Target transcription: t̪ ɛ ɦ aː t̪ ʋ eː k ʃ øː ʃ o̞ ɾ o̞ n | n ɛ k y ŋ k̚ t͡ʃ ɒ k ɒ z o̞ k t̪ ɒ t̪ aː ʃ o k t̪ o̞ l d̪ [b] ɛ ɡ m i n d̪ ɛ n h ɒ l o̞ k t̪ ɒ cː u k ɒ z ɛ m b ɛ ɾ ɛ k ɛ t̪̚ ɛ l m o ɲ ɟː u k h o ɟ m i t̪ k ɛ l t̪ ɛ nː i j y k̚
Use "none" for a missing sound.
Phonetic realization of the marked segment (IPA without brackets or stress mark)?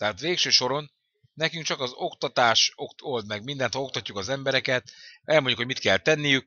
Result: m